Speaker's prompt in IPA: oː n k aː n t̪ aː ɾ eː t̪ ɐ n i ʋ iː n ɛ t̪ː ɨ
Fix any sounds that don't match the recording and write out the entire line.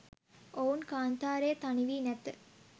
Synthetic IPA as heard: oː n k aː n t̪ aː ɾ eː t̪ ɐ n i ʋ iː n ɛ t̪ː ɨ